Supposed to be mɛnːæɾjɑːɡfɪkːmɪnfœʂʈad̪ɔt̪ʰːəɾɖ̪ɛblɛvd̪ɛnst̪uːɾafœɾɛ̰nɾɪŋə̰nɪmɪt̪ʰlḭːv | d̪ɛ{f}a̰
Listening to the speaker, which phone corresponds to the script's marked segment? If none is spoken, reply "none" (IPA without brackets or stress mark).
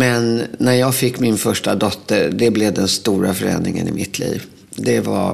v